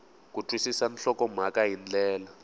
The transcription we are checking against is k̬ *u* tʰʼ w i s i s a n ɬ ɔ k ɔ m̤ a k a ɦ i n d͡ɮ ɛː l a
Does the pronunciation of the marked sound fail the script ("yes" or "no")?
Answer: no